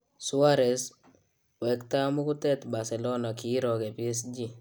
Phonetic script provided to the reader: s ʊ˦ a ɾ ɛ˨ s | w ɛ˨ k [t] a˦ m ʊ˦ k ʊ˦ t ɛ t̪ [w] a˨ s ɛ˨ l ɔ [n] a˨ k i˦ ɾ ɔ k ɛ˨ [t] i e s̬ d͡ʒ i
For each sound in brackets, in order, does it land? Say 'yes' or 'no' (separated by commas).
yes, no, yes, no